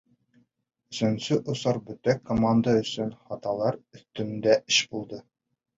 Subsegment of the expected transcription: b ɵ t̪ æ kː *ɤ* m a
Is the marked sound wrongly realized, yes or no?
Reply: yes